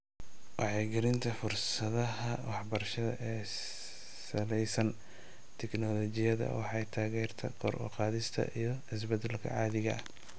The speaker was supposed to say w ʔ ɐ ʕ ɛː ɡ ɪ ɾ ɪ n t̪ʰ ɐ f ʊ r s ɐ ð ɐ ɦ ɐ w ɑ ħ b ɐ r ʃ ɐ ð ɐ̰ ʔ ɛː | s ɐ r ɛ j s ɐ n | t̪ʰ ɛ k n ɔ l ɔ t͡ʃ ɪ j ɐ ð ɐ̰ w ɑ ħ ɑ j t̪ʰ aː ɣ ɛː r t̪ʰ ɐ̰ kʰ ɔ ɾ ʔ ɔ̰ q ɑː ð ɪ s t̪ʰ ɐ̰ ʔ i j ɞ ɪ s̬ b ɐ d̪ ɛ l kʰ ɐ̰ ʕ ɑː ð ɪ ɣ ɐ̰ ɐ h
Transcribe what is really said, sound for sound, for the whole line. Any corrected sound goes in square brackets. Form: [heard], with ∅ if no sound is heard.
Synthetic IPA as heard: w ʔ [ɑ] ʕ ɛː ɡ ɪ ɾ ɪ n t̪ʰ ɐ f ʊ r s ɐ ð ɐ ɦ ɐ w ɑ ħ b ɐ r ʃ ɐ ð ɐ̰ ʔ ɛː | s ɐ [l] ɛ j s ɐ n | t̪ʰ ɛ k n ɔ l ɔ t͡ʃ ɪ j ɐ ð ɐ̰ w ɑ ħ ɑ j t̪ʰ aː ɣ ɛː r t̪ʰ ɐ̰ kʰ ɔ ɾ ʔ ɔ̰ q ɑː ð ɪ s t̪ʰ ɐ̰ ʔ i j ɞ ɪ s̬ b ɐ d̪ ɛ l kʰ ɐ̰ ʕ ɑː ð ɪ ɣ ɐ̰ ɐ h